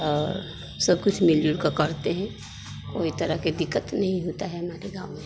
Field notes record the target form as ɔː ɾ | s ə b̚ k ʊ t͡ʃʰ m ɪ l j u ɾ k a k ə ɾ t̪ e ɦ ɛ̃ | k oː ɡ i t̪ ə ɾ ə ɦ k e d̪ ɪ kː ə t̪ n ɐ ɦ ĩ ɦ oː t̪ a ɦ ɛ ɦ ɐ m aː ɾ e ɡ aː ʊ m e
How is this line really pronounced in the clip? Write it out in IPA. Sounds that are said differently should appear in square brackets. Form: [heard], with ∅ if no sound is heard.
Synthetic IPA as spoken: ɔː ɾ | s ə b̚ k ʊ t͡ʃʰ m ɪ l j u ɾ k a k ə ɾ t̪ e ɦ ɛ̃ | k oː [∅] i t̪ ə ɾ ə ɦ k e d̪ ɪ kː ə t̪ n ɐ ɦ ĩ ɦ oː t̪ a ɦ ɛ ɦ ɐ m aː ɾ e ɡ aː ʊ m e